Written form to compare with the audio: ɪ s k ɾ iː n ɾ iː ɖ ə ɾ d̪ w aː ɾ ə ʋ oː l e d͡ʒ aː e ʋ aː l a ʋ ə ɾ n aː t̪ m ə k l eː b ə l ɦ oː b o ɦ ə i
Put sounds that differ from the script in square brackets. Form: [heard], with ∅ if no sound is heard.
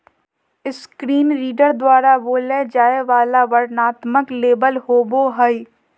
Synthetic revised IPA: ɪ s k ɾ iː n ɾ iː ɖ ə ɾ d̪ w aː ɾ [a] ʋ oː l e d͡ʒ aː e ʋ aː l a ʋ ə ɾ n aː t̪ m ə k l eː b ə l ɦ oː b o ɦ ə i